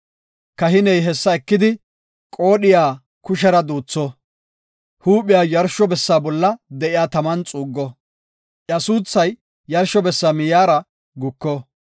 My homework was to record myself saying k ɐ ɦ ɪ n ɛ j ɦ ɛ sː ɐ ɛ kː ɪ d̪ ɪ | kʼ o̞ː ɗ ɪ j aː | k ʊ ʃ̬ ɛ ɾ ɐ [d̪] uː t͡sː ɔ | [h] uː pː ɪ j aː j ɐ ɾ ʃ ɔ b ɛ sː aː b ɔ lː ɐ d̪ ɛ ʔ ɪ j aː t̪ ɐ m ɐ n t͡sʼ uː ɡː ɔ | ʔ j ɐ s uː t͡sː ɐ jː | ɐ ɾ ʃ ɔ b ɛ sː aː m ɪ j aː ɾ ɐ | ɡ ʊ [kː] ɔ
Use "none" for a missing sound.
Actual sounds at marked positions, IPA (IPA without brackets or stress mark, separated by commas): d̪, h, kː